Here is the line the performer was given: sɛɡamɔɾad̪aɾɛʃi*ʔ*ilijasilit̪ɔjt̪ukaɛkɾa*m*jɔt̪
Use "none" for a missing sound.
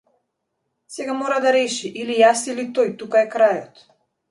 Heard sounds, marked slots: ʔ, none

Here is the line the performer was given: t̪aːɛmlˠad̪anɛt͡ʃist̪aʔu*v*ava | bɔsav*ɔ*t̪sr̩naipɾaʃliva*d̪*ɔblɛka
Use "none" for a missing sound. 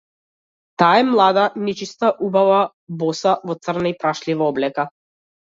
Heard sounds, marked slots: b, ɔ, none

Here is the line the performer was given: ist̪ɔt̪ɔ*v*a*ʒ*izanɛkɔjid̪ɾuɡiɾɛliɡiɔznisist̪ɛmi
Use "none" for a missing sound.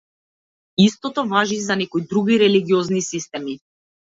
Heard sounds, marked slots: v, ʒ

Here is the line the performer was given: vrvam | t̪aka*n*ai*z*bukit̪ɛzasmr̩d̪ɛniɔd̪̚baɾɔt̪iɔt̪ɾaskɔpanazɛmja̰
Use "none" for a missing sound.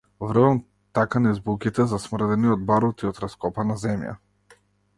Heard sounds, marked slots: n, z

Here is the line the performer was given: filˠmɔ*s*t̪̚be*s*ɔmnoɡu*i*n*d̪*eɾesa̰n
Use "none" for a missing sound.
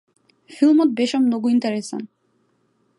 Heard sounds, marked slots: none, ʃ, i, t̪

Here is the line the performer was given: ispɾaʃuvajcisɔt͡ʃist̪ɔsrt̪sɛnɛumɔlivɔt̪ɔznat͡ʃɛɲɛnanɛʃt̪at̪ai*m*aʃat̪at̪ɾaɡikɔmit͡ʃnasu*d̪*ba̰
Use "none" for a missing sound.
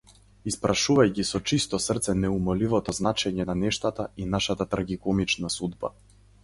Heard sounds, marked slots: n, d̪

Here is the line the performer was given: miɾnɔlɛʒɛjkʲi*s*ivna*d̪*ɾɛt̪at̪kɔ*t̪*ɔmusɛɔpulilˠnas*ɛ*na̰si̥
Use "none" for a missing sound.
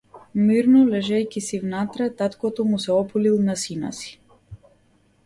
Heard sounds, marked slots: s, t̪, t̪, i

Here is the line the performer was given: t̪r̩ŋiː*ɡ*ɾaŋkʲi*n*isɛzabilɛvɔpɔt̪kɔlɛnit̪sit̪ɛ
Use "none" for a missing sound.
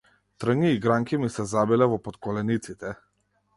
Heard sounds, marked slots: ɡ, m

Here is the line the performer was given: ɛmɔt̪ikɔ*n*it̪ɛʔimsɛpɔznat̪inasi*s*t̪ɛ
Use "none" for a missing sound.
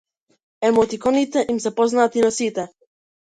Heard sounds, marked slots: n, none

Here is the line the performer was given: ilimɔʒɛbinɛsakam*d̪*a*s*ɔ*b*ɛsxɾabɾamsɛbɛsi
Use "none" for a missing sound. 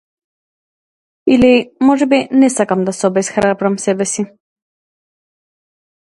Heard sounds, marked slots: d̪, s, b

